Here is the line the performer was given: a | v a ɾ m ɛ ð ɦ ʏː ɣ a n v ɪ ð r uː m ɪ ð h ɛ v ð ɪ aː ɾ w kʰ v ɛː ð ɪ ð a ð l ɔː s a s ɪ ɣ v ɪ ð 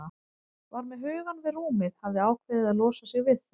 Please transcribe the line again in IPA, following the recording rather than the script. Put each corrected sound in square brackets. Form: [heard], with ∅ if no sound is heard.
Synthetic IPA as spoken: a | v a ɾ m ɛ ð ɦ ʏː ɣ a n v ɪ ð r uː m ɪ ð h [a] v ð ɪ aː [∅] w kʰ v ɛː ð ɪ ð a ð l ɔː s a s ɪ ɣ v ɪ ð